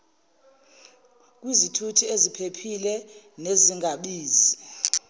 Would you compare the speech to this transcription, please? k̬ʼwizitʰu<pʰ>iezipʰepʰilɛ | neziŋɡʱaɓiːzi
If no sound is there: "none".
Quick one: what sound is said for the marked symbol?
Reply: tʰ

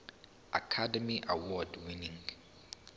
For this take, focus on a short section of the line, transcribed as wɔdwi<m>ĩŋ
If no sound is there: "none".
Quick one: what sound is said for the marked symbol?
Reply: n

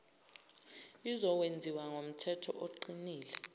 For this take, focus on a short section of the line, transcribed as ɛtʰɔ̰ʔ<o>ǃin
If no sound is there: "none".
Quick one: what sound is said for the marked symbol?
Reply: o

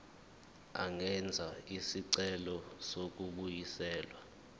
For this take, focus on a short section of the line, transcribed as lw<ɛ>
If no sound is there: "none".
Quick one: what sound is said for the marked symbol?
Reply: a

